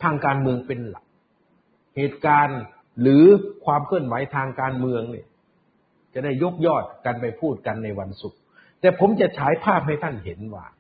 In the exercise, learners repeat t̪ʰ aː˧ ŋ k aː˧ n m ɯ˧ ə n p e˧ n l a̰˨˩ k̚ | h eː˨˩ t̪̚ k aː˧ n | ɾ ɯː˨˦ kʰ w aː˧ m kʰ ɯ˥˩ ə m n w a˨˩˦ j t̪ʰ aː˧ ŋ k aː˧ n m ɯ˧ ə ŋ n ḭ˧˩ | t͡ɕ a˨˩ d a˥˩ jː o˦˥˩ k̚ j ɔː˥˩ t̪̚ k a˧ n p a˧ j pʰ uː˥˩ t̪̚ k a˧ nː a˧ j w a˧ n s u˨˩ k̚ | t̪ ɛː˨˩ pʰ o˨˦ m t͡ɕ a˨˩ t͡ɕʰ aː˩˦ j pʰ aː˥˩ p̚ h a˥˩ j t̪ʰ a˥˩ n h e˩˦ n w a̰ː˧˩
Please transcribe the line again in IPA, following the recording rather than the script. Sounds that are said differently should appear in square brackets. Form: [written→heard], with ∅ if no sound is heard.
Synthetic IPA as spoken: t̪ʰ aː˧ ŋ k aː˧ n m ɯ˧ ə [n→ŋ] p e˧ n l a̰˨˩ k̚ | h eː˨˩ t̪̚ k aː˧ n | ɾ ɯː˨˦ kʰ w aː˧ m kʰ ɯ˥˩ ə [m→∅] n w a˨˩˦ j t̪ʰ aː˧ ŋ k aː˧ n m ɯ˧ ə ŋ n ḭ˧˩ | t͡ɕ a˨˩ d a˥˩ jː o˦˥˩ k̚ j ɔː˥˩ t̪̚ k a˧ n p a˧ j pʰ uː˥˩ t̪̚ k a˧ nː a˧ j w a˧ n s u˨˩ k̚ | t̪ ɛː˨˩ pʰ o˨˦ m t͡ɕ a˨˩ t͡ɕʰ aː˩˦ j pʰ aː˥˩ p̚ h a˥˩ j t̪ʰ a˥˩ n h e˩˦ n w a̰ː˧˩